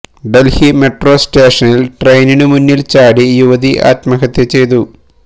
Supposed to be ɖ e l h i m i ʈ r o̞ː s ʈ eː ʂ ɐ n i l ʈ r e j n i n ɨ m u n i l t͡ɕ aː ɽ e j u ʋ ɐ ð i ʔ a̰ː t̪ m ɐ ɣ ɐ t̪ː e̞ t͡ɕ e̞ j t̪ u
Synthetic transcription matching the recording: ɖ e l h i m e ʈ r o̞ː s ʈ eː ʂ ɐ n i l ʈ r e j n i n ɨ m u nː i l t͡ɕ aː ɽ i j u ʋ ɐ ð i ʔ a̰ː t̪ m ɐ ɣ ɐ t̪ː e̞ t͡ɕ e̞ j t̪ u